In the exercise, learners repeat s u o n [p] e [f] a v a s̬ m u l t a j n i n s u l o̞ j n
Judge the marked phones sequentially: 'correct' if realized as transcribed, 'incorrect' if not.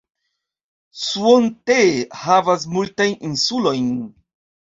incorrect: t, incorrect: h

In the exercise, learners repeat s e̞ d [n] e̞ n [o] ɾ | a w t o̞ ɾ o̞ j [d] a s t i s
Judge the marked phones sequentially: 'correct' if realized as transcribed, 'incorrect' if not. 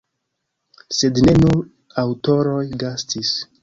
correct, incorrect: u, incorrect: ɡ

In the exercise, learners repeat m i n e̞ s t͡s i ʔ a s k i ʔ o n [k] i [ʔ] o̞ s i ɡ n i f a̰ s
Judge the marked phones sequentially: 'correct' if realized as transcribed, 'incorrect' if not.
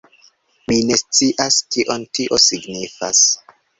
incorrect: t, correct

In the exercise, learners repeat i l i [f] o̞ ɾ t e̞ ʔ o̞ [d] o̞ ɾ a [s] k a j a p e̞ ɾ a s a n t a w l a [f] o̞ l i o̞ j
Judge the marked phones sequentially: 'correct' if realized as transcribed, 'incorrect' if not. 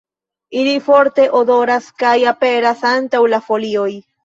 correct, correct, correct, correct

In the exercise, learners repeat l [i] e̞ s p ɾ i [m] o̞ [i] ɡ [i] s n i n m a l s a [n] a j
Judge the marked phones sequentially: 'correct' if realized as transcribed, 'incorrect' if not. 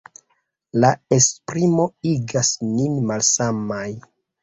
incorrect: a, correct, correct, incorrect: a, incorrect: m

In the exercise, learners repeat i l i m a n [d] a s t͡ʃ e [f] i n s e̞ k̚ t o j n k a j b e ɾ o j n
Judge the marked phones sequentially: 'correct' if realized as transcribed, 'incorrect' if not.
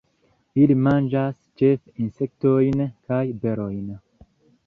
incorrect: d͡ʒ, correct

